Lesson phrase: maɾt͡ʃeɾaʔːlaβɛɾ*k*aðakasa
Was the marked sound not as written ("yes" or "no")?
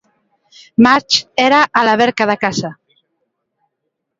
no